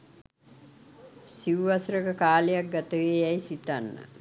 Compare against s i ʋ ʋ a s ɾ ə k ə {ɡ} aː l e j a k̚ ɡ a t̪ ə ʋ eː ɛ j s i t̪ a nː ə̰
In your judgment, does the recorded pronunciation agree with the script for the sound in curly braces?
no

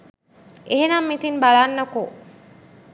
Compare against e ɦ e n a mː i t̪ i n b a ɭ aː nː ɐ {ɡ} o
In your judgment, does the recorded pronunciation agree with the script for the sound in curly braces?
no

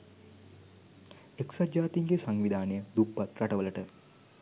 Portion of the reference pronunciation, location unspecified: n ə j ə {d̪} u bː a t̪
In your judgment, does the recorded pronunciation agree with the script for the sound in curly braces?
yes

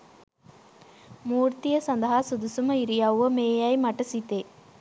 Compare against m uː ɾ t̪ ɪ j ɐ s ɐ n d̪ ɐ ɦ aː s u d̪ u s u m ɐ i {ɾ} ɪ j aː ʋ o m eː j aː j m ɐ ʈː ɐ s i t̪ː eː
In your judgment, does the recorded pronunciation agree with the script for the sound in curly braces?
yes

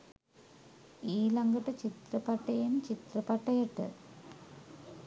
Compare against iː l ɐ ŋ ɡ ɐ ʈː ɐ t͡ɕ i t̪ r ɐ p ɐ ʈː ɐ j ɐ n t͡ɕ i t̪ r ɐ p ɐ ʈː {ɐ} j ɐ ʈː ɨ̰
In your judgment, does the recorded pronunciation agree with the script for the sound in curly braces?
yes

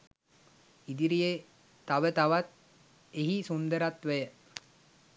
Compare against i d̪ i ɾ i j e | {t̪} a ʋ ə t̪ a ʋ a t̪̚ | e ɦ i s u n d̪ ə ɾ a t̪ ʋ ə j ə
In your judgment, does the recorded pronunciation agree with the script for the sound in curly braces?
yes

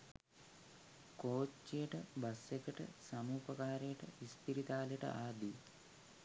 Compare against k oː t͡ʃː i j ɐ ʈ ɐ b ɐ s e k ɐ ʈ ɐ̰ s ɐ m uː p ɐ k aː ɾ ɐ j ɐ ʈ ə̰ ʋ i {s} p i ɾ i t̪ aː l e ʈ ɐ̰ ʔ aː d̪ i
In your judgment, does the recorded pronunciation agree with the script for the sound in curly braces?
yes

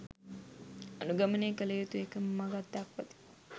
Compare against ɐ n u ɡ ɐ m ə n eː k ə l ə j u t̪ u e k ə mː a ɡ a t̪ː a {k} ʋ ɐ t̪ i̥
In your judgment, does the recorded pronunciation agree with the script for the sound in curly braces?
yes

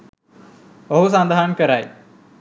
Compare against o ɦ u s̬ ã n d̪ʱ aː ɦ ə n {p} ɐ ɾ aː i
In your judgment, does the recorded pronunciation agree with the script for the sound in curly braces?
no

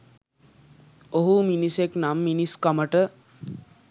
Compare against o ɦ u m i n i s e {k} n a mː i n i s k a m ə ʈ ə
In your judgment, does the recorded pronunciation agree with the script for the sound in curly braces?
yes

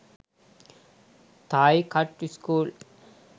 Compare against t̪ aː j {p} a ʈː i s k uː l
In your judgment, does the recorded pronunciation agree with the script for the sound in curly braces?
no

